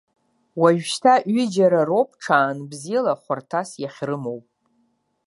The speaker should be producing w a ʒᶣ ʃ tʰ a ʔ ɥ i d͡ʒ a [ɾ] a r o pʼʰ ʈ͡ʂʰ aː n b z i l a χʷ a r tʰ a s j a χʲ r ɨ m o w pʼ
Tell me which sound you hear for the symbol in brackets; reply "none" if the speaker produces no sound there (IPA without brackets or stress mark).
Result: ɾ